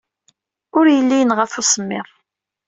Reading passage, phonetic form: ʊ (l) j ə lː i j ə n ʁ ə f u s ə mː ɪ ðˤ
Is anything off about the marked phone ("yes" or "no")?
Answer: yes